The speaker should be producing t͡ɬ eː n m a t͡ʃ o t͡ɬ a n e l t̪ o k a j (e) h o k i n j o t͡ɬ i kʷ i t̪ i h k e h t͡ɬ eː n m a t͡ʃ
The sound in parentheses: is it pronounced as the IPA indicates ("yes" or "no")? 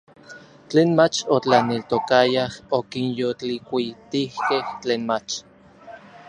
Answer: no